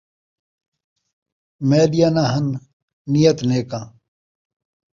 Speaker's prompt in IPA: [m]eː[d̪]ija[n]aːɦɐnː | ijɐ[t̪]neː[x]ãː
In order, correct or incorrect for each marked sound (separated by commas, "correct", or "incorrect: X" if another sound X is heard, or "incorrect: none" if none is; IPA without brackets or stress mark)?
correct, correct, correct, correct, incorrect: k